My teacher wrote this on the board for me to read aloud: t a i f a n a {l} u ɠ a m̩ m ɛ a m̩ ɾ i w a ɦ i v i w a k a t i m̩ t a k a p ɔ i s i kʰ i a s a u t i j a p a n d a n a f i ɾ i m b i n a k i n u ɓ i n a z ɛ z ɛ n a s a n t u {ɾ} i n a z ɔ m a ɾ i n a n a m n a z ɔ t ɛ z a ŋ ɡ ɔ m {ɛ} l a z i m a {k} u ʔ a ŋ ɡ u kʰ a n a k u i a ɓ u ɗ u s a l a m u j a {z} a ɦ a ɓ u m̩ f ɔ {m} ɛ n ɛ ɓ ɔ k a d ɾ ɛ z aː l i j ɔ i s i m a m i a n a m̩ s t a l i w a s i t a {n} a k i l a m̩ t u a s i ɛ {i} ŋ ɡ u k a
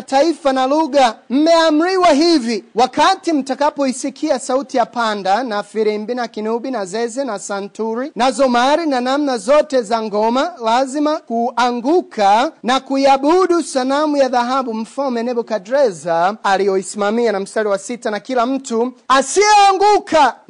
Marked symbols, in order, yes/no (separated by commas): yes, yes, no, yes, no, yes, yes, no